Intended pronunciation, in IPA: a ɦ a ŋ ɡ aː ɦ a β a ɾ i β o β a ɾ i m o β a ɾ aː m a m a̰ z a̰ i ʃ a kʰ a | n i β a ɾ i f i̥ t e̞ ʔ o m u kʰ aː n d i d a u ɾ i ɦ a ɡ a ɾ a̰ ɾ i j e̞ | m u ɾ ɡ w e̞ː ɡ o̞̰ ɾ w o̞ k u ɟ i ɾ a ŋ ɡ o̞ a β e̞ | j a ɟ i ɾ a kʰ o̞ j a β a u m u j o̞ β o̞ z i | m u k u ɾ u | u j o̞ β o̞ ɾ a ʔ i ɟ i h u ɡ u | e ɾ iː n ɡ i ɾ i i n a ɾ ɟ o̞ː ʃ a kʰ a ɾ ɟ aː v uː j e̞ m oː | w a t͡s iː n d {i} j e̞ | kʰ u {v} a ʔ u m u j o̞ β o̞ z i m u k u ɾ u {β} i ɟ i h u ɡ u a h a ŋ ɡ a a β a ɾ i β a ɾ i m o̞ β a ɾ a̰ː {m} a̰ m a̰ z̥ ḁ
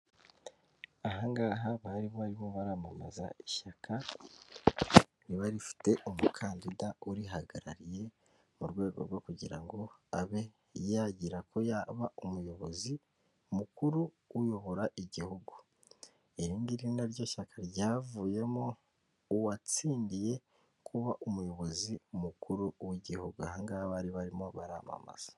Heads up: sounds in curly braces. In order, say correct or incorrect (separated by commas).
correct, incorrect, incorrect, correct